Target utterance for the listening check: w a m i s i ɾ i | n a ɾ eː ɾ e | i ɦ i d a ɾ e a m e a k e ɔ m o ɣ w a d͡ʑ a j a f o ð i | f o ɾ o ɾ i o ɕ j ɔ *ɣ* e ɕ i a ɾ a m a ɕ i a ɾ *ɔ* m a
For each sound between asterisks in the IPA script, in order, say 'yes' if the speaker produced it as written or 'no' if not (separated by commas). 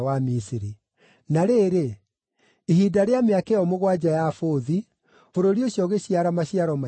yes, yes